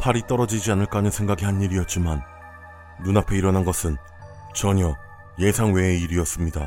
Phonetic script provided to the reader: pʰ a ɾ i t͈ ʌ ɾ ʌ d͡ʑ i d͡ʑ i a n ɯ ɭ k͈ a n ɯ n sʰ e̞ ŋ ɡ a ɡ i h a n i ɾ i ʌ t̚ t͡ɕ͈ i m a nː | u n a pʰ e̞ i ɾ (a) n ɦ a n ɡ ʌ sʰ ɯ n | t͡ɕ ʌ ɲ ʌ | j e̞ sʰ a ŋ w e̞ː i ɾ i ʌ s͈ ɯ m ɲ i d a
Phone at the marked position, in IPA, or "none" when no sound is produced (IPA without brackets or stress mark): ʌ